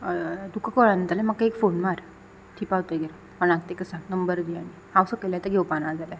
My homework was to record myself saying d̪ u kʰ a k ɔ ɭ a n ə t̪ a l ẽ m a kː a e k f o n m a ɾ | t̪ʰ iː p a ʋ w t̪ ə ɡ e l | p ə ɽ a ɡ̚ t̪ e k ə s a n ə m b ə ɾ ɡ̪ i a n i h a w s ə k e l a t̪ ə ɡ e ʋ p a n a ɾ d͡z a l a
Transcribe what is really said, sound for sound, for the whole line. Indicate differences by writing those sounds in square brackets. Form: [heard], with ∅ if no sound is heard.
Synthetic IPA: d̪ u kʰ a k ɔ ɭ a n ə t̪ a l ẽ m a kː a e k f o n m a ɾ | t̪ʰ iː p a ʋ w t̪ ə ɡ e [ɾ] | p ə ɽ a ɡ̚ t̪ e k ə s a n ə m b ə ɾ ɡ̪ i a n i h a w s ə k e l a t̪ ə ɡ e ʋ p a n a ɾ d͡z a l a